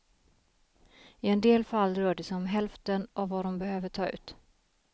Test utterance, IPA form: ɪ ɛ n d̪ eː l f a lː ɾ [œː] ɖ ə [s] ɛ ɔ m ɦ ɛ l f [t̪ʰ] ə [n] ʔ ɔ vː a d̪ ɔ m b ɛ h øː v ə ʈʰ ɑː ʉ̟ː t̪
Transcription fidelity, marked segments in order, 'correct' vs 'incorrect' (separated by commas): correct, correct, incorrect, correct